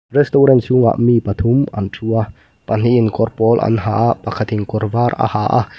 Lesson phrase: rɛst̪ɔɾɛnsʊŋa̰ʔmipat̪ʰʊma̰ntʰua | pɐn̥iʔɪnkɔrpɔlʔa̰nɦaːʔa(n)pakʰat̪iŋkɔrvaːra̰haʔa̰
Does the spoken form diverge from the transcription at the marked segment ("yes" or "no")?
yes